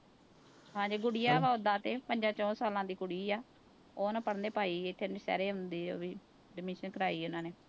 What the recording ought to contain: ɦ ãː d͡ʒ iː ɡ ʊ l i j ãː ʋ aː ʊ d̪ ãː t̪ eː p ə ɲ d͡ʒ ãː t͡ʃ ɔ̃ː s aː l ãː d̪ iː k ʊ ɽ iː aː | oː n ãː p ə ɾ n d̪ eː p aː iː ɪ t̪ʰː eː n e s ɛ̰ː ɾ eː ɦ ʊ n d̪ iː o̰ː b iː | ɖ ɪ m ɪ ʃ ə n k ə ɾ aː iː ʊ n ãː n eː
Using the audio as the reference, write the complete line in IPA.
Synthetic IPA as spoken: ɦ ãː d͡ʒ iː ɡ ʊ ɽ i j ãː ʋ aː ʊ d̪ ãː t̪ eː p ə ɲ d͡ʒ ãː t͡ʃ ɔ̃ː s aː l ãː d̪ iː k ʊ ɽ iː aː | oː n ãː p ə ɽ n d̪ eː p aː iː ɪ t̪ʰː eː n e s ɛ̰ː ɾ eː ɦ ʊ n d̪ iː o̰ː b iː | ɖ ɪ m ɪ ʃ ə n k ə ɾ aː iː ʊ n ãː n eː

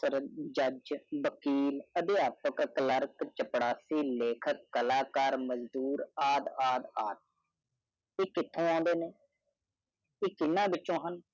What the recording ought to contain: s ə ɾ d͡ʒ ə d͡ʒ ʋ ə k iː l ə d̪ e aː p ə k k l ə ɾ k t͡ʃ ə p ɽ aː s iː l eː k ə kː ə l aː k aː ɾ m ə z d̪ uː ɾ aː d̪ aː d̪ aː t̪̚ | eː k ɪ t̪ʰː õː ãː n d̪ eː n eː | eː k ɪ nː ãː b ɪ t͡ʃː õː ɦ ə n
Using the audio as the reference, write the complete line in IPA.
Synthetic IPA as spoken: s ə ɾ d͡ʒ ə d͡ʒ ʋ ə k iː l ə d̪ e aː p ə k k l ə ɾ k t͡ʃ ə p ɽ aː s iː l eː kʰ ə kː ə l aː k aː ɾ m ə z d̪ uː ɾ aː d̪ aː d̪ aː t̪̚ | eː k ɪ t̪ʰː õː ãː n d̪ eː n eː | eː k ɪ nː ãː b ɪ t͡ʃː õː ɦ ə n

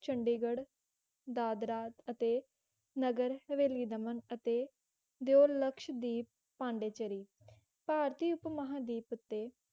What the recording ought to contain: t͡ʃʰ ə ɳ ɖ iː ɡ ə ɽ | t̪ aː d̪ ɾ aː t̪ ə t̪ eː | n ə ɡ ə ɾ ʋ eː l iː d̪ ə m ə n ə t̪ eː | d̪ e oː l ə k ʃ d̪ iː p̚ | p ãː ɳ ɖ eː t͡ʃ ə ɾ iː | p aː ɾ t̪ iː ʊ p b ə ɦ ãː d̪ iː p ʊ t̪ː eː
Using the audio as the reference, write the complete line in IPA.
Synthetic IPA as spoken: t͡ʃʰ ə ɳ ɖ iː ɡ ə ɽ | d̪ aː d̪ ɾ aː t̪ ə t̪ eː | n ə ɡ ə ɾ ʋ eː l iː d̪ ə m ə n ə t̪ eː | d̪ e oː l ə k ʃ d̪ iː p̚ | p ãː ɳ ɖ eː t͡ʃ ə ɾ iː | p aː ɾ t̪ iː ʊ p m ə ɦ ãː d̪ iː p ʊ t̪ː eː

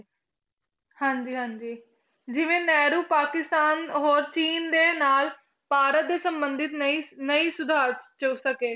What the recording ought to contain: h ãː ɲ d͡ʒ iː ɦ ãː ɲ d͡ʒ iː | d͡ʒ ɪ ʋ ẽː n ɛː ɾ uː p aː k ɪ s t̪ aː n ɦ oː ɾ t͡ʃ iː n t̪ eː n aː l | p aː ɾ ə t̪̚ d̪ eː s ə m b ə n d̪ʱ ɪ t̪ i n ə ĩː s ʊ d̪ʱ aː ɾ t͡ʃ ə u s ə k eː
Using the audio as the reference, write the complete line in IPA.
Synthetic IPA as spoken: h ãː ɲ d͡ʒ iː ɦ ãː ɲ d͡ʒ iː | d͡ʒ ɪ ʋ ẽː n ɛː ɾ uː p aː k ɪ s t̪ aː n ɦ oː ɾ t͡ʃ iː n d̪ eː n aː l | p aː ɾ ə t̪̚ d̪ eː s ə m b ə n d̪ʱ ɪ t̪ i n ə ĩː s ʊ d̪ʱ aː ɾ t͡ʃ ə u s ə k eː

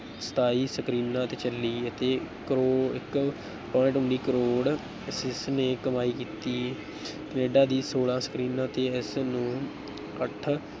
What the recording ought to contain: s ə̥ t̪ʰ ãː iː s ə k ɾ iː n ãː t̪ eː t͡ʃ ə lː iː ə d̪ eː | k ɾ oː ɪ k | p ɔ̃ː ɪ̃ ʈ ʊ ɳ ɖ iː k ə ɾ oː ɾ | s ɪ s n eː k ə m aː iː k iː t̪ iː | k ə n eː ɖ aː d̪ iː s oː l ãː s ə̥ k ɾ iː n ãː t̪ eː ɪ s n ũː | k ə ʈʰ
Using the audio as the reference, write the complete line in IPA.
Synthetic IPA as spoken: s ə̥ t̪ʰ aː iː s ə k ɾ iː n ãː t̪ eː t͡ʃ ə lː iː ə t̪ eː | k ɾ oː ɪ k | p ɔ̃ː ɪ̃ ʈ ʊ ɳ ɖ iː k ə ɾ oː ɽ | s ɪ s n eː k ə m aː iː k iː t̪ iː | k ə n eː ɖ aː d̪ iː s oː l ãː s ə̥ k ɾ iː n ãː t̪ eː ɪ s n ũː | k ə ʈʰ

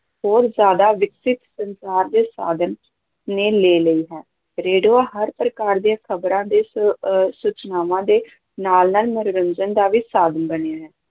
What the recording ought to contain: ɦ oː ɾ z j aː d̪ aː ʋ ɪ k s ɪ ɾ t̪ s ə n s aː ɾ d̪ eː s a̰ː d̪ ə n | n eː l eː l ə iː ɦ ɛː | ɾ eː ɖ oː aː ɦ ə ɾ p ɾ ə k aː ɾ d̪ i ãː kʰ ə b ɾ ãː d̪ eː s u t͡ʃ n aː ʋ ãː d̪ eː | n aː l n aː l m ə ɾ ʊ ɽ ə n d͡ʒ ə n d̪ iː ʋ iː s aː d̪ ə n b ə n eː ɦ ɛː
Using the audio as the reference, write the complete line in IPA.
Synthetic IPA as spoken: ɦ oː ɾ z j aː d̪ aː ʋ ɪ k s ɪ t̪ s ə n s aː ɾ d̪ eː s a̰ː d̪ ə n | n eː l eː l ə iː ɦ ɛː | ɾ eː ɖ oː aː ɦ ə ɾ p ɾ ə k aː ɾ d̪ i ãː kʰ ə b ɾ ãː d̪ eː s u t͡ʃ n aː ʋ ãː d̪ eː | n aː l n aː l m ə ɾ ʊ ɾ ə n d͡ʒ ə n d̪ aː ʋ iː s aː d̪ ə n b ə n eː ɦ ɛː

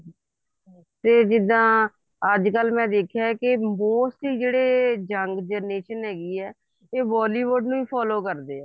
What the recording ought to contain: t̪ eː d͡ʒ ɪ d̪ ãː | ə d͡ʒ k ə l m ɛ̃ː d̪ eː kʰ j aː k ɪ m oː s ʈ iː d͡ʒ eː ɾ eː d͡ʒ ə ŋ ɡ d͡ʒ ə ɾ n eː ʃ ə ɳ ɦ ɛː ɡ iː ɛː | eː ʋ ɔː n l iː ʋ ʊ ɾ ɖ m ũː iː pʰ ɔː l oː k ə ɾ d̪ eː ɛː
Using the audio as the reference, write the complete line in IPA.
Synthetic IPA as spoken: t̪ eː d͡ʒ ɪ d̪ ãː | ə d͡ʒ k ə l m ɛ̃ː d̪ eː kʰ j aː k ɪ m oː s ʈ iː d͡ʒ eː ɽ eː d͡ʒ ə ŋ ɡ d͡ʒ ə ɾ n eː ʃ ə n ɦ ɛː ɡ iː ɛː | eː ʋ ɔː l iː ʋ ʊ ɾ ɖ n ũː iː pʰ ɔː l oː k ə ɾ d̪ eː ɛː

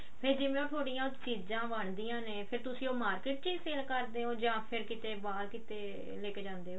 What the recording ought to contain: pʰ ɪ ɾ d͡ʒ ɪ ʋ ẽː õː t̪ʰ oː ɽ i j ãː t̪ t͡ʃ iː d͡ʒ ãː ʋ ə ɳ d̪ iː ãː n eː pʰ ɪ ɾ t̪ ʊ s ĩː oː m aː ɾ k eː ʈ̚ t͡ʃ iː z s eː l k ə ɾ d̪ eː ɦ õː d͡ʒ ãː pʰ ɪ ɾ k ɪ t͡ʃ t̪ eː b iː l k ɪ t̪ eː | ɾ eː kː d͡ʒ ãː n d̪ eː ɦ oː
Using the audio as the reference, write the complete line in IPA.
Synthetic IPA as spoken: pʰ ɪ ɾ d͡ʒ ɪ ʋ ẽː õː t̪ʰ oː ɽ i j ãː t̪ t͡ʃ iː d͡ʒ ãː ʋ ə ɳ d̪ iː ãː n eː pʰ ɪ ɾ t̪ ʊ s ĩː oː m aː ɾ k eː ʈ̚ t͡ʃ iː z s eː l k ə ɾ d̪ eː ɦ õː d͡ʒ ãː pʰ ɪ ɾ k ɪ t̪ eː b aː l k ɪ t̪ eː | l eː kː d͡ʒ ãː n d̪ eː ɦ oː

